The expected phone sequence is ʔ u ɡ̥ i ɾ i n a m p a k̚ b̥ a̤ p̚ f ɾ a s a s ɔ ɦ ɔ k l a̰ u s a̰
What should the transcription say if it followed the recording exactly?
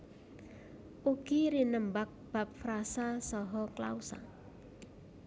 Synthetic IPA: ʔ u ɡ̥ i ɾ i n ə m b a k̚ b̥ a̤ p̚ f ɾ a s a s ɔ ɦ ɔ k l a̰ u s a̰